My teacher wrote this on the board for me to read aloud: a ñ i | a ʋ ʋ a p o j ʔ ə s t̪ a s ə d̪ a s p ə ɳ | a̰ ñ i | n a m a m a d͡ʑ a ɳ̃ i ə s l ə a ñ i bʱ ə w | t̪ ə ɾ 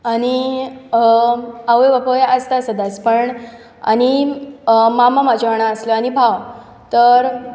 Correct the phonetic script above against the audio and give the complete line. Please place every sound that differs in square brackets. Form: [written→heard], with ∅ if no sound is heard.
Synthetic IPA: a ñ i | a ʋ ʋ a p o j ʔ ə s t̪ a s ə d̪ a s p ə ɳ | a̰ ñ i | [n→m] a m a m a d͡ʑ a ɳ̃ [i→a] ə s l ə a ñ i bʱ [ə→a] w | t̪ ə ɾ